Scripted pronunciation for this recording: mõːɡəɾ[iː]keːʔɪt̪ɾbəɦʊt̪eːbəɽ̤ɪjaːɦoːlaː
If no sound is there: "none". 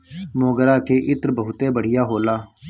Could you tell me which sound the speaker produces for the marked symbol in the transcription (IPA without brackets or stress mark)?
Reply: aː